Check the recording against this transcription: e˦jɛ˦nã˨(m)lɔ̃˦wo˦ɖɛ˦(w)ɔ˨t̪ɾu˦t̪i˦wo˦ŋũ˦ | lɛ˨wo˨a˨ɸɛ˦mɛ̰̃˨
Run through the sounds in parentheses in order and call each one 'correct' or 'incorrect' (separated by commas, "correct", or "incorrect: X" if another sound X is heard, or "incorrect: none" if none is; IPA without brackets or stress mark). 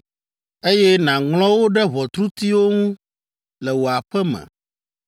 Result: incorrect: ŋ, incorrect: β